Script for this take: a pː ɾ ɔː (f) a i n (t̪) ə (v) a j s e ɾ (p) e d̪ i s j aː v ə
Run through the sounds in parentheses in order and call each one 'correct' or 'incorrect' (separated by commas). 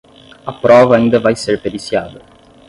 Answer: incorrect, incorrect, correct, correct